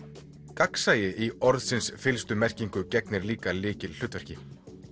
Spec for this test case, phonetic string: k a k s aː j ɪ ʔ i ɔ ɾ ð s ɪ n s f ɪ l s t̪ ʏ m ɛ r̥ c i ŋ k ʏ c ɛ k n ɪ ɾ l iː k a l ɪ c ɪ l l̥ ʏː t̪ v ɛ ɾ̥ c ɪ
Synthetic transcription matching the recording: k a k s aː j ɪ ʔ i ɔ ɾ ð s ɪ n s f ɪ l s t̪ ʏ m ɛ r̥ c i ŋ k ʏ c ɛ k n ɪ ɾ l iː k a l ɪː c ɪ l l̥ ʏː t̪ v ɛ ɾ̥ c ɪ